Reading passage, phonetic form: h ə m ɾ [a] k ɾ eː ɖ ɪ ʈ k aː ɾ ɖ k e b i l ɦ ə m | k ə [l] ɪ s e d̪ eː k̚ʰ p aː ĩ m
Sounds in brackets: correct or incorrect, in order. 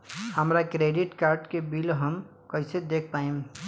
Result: correct, incorrect: none

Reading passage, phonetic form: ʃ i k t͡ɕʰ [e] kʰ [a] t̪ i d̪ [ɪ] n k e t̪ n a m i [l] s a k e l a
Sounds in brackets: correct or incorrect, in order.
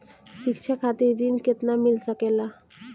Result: incorrect: a, correct, incorrect: i, correct

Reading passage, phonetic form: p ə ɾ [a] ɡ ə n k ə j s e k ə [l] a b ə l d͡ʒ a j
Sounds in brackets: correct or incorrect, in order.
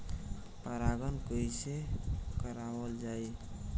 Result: correct, incorrect: ɾ

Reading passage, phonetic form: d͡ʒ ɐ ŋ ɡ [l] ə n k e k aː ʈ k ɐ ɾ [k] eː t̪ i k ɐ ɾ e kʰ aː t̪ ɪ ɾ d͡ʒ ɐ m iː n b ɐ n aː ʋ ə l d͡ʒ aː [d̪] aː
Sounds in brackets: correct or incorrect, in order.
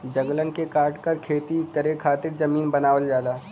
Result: correct, incorrect: kʰ, correct

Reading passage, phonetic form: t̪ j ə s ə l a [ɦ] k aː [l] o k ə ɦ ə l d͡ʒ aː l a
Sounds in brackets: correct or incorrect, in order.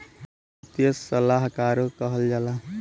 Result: correct, incorrect: ɾ

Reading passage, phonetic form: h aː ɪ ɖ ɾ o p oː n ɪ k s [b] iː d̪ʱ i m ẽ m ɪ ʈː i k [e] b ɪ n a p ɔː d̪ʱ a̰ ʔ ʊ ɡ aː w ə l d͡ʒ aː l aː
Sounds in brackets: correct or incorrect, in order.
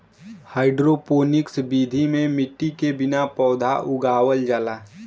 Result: correct, correct

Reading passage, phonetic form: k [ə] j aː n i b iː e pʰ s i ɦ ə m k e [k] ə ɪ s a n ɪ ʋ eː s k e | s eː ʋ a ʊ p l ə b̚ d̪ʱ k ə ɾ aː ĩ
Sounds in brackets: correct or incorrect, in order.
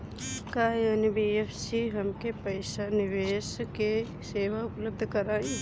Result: incorrect: a, incorrect: p

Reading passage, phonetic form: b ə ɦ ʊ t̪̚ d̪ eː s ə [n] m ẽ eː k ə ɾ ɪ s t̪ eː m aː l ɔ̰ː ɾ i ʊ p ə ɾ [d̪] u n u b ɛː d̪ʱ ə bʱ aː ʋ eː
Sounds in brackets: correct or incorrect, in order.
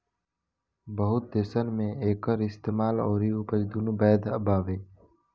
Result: correct, correct

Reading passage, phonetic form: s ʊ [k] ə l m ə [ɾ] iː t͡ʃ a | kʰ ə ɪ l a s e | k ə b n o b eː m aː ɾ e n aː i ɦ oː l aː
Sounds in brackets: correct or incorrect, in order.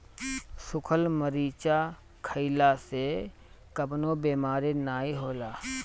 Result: incorrect: kʰ, correct

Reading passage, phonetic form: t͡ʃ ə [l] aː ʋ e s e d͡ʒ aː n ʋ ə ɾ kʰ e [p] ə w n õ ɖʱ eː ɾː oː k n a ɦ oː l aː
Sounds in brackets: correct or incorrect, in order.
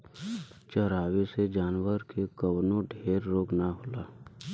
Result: incorrect: ɾ, incorrect: k

